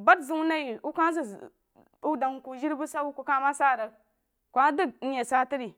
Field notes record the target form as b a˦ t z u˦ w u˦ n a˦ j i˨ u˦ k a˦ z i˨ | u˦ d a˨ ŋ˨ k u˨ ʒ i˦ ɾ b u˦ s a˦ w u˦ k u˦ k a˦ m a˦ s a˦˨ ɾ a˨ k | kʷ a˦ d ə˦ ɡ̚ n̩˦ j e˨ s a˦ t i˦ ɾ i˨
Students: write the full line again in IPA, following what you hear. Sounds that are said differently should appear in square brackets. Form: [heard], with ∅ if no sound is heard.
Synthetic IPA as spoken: b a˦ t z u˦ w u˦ n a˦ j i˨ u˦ k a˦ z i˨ | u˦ d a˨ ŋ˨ k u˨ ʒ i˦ ɾ b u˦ s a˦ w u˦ k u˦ k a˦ m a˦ s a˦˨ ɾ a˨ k | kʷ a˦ d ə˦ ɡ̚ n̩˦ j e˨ s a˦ t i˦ ɾ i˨

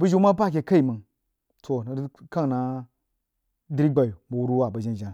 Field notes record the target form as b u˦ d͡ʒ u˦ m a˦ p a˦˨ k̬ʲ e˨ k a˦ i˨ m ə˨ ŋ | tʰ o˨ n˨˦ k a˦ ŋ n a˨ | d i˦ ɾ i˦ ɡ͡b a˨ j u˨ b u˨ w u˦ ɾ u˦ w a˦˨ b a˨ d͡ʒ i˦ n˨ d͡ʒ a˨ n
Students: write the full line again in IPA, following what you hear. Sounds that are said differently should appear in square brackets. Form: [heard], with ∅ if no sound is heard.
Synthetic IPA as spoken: b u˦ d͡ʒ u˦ m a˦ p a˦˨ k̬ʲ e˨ k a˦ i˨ m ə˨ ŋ | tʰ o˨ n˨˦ k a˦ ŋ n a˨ | d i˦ ɾ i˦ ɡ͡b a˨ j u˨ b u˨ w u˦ ɾ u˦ w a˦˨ b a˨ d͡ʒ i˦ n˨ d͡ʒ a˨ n

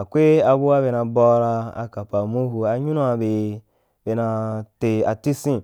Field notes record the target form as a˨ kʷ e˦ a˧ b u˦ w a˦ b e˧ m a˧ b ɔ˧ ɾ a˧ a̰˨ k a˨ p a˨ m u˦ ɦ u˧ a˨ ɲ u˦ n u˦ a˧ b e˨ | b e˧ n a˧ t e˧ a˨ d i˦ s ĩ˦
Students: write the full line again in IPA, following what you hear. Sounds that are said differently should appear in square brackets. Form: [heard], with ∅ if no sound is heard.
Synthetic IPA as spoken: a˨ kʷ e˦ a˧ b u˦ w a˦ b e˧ [n] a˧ b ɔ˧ ɾ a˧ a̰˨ k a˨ p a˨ m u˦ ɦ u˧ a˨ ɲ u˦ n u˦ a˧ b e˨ | b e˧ n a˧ t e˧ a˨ [t] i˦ s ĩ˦

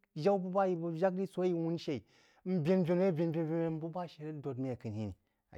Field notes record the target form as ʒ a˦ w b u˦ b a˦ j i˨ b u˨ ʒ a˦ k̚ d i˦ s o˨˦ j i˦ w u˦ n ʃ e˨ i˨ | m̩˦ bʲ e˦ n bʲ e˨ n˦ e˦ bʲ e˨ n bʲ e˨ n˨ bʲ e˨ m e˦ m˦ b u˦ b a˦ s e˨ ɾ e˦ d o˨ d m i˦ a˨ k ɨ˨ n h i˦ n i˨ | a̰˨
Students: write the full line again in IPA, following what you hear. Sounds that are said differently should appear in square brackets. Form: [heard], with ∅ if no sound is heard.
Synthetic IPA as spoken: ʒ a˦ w b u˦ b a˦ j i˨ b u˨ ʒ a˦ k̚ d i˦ s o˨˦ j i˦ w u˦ n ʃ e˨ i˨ | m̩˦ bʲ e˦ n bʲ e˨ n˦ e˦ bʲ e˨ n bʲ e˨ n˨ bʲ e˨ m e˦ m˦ b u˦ b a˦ [ʃ] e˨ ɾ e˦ d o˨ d m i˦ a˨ k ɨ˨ n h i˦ n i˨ | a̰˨

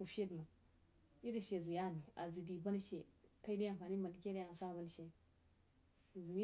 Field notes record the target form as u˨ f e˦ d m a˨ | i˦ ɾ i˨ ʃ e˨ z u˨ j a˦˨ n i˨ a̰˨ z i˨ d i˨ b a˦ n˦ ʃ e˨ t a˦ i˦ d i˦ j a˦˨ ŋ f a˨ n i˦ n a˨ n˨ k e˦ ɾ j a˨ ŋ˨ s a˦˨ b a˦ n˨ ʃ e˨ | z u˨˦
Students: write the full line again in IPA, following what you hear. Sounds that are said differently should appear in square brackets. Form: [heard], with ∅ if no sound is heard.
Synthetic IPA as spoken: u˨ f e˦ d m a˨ | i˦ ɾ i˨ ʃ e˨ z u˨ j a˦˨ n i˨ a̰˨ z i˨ d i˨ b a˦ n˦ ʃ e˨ t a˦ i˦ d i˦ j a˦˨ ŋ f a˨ n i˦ [m] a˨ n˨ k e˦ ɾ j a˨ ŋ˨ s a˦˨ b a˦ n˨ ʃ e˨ | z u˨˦

